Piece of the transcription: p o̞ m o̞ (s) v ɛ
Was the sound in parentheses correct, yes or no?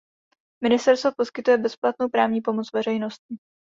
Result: no